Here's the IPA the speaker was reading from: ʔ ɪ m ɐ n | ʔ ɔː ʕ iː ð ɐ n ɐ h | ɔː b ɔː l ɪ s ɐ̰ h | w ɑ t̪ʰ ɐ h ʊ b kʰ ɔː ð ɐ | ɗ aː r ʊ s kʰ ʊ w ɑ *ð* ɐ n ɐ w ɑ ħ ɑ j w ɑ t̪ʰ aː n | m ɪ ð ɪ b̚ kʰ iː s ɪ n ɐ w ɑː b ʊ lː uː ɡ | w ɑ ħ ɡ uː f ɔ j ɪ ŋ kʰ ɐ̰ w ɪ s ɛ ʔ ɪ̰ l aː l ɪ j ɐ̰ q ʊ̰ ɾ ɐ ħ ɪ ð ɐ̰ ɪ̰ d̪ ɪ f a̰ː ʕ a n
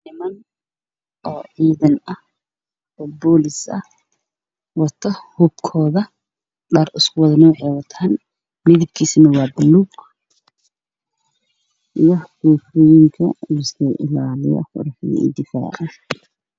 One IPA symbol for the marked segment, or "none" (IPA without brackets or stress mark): ð